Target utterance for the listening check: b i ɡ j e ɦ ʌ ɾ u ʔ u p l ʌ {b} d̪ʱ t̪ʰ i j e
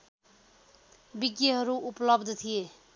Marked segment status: correct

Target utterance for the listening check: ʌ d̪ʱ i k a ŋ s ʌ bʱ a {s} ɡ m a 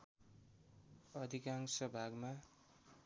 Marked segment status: incorrect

